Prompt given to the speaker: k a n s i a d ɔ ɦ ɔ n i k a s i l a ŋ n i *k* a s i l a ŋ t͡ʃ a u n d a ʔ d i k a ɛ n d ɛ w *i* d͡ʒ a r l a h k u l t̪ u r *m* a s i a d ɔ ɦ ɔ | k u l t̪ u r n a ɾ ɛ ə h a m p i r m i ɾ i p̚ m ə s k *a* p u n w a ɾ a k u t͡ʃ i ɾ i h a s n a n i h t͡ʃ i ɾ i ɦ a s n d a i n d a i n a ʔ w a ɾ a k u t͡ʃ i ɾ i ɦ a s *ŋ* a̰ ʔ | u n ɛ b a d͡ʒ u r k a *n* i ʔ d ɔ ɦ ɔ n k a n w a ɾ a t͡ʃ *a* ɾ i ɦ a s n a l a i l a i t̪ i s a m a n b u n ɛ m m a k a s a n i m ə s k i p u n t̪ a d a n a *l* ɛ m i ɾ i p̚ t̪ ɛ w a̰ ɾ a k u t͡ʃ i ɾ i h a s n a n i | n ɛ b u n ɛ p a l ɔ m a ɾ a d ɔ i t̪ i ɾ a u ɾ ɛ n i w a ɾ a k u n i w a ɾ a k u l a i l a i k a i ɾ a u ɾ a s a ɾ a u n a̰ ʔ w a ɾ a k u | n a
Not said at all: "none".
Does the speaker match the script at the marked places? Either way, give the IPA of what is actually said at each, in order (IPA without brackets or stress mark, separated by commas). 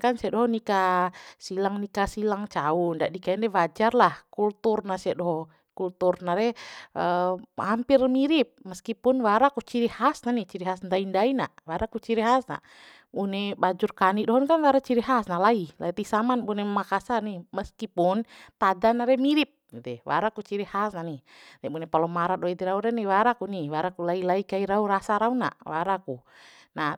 k, a, n, i, n, n, i, ɾ